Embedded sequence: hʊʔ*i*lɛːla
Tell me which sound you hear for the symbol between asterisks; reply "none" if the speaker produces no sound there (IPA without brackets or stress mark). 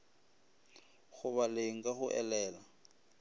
ɛ